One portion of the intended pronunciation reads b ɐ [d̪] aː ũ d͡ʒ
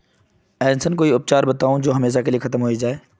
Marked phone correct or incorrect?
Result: incorrect